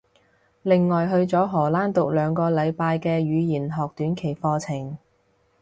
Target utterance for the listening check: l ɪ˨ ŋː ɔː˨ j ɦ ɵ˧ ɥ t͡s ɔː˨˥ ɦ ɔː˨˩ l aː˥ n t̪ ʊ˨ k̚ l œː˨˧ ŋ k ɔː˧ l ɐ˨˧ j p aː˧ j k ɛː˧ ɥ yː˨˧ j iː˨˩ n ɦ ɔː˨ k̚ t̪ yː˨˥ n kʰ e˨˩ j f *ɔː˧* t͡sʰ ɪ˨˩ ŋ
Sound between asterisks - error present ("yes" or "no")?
no